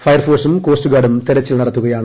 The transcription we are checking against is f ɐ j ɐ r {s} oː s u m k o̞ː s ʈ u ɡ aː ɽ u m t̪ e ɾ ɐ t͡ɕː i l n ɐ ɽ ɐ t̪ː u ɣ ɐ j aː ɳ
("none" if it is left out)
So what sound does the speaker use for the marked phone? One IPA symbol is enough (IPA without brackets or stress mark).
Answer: f